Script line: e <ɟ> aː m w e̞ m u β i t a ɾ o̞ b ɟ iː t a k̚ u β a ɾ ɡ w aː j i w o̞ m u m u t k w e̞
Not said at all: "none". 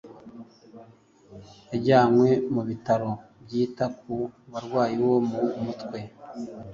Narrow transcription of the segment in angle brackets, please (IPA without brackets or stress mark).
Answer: ɟ